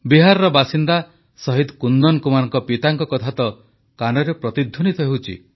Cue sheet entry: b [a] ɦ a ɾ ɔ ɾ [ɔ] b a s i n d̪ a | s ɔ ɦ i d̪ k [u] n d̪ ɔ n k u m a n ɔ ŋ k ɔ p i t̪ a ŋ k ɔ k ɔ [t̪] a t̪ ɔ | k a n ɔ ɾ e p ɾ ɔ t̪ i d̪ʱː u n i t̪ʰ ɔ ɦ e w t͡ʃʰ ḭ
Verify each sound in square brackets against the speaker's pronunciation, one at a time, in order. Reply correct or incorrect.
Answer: incorrect: i, correct, correct, incorrect: t̪ʰ

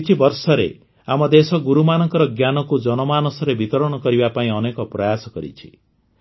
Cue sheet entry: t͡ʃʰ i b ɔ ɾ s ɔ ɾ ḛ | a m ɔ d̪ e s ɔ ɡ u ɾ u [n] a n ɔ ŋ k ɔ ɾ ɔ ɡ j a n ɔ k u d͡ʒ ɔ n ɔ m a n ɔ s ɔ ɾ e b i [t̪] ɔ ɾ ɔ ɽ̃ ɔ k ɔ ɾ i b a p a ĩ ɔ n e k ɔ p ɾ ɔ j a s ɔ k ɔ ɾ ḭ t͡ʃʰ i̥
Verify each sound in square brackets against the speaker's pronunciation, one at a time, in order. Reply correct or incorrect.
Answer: incorrect: m, correct

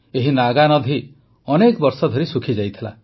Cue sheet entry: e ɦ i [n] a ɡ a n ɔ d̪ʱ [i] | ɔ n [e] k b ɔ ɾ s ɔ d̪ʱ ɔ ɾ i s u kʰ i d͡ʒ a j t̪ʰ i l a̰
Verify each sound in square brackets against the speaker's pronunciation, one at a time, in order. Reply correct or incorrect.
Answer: correct, correct, correct

